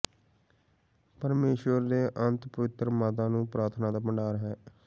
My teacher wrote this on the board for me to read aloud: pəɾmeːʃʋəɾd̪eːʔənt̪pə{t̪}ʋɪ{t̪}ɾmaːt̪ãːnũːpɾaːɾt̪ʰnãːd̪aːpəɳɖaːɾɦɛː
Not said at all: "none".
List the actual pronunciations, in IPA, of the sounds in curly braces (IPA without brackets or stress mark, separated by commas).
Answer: none, t̪